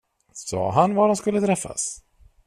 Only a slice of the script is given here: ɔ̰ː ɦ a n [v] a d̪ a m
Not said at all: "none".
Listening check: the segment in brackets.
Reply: v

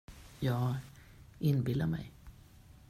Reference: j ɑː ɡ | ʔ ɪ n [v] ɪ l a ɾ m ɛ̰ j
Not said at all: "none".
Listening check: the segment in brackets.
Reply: b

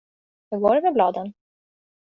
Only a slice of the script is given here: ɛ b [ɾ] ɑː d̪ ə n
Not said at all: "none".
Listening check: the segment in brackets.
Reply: l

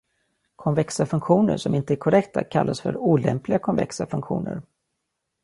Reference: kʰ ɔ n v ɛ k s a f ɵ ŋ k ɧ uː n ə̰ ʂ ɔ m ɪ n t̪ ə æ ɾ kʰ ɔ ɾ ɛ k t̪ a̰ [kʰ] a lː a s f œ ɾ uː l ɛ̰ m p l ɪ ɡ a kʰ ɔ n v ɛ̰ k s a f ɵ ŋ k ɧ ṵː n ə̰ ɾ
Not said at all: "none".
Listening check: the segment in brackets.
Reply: kʰ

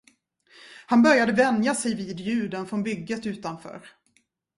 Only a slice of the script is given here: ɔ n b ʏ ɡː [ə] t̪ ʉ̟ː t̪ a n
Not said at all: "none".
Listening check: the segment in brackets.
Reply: ə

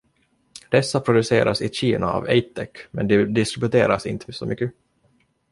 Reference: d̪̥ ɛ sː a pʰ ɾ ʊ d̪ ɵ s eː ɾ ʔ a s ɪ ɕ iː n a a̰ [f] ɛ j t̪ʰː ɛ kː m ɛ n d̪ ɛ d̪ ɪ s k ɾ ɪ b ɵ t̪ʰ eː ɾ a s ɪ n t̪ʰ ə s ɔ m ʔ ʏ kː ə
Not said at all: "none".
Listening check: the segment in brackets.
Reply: v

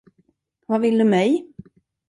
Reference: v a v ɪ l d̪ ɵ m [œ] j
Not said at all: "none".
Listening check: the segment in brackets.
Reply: ɛ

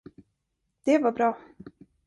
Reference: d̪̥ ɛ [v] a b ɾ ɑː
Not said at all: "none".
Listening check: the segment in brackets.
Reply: v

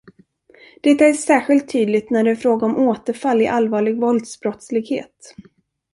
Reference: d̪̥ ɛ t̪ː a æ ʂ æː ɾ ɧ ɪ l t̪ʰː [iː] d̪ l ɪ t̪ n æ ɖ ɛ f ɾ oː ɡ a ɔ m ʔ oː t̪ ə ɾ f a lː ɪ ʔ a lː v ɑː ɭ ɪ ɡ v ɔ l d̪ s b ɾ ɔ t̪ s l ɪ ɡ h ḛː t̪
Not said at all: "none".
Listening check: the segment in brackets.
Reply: yː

